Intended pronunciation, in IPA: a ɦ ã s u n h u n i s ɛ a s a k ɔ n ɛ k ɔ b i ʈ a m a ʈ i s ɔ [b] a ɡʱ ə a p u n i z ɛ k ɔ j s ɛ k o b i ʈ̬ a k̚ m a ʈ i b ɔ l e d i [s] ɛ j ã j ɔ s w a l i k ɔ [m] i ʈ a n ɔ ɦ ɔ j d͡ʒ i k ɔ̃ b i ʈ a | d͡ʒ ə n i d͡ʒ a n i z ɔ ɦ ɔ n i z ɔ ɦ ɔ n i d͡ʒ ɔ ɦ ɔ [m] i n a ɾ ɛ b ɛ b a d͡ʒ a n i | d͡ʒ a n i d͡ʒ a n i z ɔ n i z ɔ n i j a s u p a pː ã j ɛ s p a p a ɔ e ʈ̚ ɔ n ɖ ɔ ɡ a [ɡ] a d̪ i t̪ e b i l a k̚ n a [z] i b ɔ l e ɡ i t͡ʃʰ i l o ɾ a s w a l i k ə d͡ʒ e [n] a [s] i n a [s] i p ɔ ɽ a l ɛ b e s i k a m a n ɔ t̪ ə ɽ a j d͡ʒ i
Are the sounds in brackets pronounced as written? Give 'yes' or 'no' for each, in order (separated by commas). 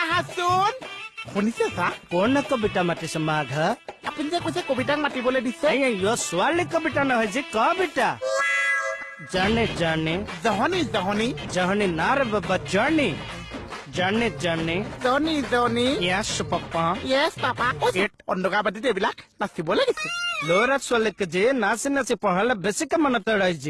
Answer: no, yes, no, no, no, no, yes, yes, yes